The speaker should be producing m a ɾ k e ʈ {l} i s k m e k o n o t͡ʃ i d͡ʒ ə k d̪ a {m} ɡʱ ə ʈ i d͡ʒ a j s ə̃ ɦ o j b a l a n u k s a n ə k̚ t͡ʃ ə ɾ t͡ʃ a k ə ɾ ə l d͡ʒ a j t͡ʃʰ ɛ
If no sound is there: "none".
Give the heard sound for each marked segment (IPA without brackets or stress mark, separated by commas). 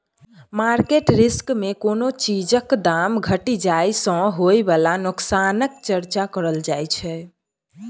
ɾ, m